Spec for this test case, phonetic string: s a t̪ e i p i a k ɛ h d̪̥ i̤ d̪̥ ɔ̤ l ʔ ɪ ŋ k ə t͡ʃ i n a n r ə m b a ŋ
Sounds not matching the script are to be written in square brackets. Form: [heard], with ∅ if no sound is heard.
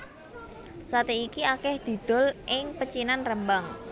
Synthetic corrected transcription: s a t̪ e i [k] i a k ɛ h d̪̥ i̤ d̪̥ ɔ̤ l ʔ ɪ ŋ [p] ə t͡ʃ i n a n r ə m b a ŋ